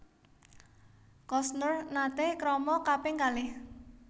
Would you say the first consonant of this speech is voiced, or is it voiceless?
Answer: voiceless